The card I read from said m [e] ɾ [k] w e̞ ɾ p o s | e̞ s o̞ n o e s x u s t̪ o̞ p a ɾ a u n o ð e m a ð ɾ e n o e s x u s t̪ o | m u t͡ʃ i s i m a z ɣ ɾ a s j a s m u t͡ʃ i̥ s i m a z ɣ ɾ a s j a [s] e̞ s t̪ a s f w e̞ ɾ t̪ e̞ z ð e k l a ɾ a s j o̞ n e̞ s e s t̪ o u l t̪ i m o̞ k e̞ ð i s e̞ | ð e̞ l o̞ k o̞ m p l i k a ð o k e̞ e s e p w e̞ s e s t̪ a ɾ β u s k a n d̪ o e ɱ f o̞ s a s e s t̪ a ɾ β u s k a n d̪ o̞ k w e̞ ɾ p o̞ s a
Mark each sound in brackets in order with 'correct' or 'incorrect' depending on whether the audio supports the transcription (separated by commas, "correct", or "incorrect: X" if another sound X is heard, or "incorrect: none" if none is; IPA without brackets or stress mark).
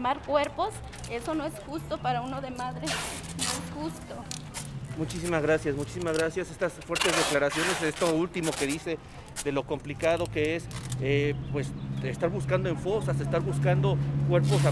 incorrect: a, correct, correct